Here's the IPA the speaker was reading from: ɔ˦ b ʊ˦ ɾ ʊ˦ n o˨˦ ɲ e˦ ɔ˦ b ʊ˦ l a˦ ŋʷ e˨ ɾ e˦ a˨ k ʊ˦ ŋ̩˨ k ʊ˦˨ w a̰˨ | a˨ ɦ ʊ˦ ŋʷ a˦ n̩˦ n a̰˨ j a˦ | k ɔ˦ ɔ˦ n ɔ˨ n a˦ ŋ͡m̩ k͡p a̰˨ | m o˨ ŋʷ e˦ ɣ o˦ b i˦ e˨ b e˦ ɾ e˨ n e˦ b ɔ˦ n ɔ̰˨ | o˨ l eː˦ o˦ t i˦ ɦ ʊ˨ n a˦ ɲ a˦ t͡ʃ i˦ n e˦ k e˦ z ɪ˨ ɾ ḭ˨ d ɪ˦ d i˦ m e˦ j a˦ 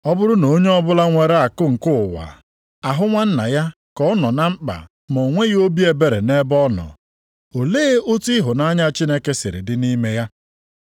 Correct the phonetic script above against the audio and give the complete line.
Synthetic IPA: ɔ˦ b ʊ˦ ɾ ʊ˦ n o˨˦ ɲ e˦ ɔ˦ b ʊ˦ l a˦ ŋʷ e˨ ɾ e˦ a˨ k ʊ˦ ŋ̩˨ k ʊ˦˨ w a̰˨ | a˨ ɦ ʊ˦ ŋʷ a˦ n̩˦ n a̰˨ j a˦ | k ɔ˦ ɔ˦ n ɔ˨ n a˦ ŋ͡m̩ k͡p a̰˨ | m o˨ ŋʷ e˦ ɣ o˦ b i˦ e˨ b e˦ ɾ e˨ n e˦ b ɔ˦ n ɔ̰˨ | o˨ l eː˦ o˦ t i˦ ɦ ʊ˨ n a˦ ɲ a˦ t͡ʃ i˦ n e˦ k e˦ s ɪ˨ ɾ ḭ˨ d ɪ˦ n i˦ m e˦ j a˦

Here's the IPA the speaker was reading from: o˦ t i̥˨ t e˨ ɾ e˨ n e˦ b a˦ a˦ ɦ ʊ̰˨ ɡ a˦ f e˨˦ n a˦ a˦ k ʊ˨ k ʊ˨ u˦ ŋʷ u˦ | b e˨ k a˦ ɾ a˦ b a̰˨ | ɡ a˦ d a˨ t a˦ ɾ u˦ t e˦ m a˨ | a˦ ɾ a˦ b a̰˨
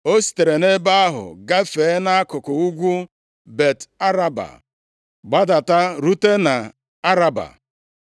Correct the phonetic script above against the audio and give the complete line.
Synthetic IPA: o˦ s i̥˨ t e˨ ɾ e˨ n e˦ b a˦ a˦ ɦ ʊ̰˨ ɡ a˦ f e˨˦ n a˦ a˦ k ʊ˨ k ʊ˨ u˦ ɡʷ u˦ | b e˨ t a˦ ɾ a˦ b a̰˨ | ɡ͡b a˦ d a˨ t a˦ ɾ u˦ t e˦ n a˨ | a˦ ɾ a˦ b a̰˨

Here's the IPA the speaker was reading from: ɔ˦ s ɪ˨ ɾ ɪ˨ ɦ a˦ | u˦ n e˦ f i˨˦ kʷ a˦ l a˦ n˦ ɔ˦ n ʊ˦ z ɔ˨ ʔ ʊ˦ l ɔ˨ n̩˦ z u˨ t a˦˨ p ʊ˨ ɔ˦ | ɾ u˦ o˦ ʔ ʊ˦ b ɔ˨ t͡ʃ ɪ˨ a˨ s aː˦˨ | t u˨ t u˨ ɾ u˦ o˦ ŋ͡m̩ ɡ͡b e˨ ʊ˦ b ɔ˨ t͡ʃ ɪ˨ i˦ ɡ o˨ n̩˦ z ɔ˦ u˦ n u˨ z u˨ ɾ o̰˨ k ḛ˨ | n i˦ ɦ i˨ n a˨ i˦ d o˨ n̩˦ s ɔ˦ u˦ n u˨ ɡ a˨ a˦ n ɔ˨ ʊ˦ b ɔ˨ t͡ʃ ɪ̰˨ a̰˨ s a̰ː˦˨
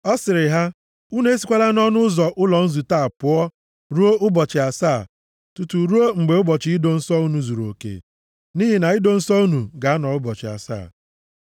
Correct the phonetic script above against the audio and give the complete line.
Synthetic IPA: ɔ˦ s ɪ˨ ɾ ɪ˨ ɦ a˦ | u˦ n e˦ s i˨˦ kʷ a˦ l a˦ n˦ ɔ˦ n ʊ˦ z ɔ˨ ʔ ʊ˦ l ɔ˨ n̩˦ z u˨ t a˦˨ p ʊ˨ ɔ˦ | ɾ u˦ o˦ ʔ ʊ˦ b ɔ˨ t͡ʃ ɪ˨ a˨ s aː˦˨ | t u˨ t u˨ ɾ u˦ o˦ ŋ͡m̩ ɡ͡b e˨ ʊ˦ b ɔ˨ t͡ʃ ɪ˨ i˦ d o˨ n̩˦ s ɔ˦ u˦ n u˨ z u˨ ɾ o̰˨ k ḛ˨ | n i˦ ɦ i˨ n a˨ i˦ d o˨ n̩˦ s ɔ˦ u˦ n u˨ ɡ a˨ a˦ n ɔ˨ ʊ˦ b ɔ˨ t͡ʃ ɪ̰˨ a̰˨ s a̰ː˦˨

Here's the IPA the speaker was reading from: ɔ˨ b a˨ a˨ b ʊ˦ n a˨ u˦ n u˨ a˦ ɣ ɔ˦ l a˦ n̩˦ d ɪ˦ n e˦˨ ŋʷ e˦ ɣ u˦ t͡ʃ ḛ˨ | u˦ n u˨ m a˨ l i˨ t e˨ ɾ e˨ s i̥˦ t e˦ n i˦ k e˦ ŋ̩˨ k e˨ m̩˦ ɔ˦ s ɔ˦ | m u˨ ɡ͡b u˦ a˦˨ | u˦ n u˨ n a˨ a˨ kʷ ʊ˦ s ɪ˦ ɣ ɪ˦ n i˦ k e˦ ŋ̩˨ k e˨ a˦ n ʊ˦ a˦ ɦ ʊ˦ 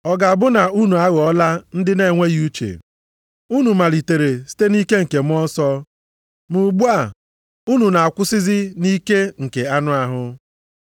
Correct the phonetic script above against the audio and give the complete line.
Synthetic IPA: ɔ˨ ɡ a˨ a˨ b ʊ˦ n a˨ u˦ n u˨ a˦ ɣ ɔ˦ l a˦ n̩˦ d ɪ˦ n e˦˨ ŋʷ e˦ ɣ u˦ t͡ʃ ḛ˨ | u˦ n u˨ m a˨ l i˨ t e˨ ɾ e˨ s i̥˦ t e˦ n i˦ k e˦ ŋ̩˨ k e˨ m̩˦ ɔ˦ s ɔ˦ | m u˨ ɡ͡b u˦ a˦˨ | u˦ n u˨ n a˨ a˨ kʷ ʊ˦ s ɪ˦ z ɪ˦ n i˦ k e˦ ŋ̩˨ k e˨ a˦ n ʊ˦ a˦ ɦ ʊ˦

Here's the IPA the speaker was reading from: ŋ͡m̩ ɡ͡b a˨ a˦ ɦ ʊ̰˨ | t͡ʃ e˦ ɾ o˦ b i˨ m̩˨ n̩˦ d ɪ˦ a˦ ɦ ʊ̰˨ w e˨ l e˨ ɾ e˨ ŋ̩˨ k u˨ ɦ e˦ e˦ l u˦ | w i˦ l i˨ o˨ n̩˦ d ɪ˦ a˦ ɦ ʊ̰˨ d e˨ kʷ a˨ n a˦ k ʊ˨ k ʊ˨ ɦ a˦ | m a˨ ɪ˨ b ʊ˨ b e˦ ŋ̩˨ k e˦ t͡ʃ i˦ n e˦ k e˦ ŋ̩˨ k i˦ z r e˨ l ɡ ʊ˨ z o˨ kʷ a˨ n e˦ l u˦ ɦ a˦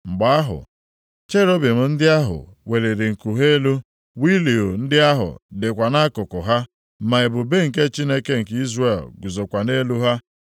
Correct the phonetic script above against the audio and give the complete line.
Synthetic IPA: ŋ͡m̩ ɡ͡b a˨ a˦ ɦ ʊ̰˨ | t͡ʃ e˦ ɾ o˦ b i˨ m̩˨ n̩˦ d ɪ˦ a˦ ɦ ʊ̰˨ w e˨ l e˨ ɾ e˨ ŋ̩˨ k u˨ ɦ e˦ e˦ l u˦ | w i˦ l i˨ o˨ n̩˦ d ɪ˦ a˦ ɦ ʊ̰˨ d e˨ kʷ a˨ n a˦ k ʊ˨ k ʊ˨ ɦ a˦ | m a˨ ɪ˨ b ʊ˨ b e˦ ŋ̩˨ k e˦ t͡ʃ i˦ n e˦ k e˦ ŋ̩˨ k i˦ z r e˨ l ɡ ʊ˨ z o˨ kʷ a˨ n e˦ l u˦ ɦ a˦

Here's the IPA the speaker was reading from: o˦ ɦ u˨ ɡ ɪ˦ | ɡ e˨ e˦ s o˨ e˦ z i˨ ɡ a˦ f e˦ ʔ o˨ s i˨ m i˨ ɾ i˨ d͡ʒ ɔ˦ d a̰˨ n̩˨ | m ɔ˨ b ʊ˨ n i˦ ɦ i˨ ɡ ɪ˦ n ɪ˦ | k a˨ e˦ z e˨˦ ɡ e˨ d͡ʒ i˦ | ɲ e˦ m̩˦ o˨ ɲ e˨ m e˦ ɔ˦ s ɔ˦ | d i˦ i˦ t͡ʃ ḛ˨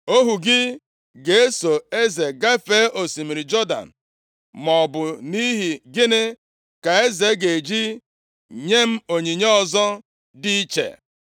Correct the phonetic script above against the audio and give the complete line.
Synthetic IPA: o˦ ɦ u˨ ɡ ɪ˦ | ɡ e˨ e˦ s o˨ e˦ z e˨ ɡ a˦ f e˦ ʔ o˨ s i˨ m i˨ ɾ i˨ d͡ʒ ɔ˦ d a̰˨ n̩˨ | m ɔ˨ b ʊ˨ n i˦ ɦ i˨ ɡ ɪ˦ n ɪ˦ | k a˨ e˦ z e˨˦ ɡ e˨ d͡ʒ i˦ | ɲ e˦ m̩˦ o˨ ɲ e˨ ɲ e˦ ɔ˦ z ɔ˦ | d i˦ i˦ t͡ʃ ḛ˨

